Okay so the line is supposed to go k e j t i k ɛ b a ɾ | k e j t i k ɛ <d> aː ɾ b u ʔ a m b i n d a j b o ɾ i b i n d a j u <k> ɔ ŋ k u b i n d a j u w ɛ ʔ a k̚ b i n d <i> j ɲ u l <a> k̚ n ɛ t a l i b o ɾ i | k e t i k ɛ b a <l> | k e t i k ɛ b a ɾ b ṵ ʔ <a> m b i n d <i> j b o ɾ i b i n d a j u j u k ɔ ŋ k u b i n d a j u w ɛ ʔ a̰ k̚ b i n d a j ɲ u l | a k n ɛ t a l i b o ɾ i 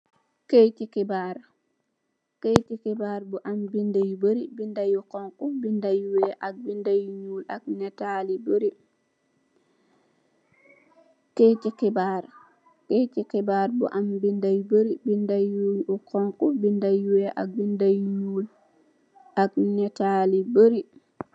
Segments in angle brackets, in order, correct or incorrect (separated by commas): incorrect, correct, incorrect, correct, incorrect, correct, incorrect